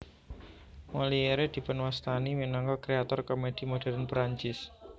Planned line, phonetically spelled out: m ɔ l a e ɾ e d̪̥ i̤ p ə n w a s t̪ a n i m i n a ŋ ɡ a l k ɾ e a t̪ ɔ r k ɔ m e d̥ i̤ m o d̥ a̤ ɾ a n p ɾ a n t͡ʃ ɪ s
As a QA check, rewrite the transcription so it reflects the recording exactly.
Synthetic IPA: m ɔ l i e ɾ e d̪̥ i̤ p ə n w a s t̪ a n i m i n a ŋ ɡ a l k ɾ e a t̪ ɔ r k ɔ m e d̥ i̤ m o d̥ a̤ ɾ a n p ɾ a ɲ t͡ʃ ɪ s